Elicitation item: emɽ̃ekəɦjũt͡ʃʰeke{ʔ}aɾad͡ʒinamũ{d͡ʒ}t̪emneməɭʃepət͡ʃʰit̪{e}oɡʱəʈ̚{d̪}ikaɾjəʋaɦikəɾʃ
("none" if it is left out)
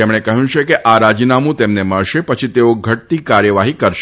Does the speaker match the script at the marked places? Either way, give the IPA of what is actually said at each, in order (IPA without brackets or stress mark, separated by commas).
ʔ, none, e, t̪